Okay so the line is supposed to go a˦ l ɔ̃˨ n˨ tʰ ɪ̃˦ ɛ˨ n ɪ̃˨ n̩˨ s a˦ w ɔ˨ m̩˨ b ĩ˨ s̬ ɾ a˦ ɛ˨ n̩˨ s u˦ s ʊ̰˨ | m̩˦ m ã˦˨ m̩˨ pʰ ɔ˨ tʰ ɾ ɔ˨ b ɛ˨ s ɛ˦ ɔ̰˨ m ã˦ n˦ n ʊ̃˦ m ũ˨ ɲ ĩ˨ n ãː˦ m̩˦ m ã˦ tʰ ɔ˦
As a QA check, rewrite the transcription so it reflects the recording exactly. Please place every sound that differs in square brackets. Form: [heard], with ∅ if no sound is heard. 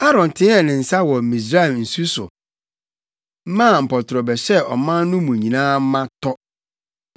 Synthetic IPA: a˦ [ɾ] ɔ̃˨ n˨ tʰ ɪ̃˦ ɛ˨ n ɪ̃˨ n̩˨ s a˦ w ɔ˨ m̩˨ [m] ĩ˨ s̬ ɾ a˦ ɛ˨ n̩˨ s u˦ s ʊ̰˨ | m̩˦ m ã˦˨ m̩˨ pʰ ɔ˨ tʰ ɾ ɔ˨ b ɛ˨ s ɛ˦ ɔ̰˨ m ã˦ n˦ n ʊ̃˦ m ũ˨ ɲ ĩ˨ n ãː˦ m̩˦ m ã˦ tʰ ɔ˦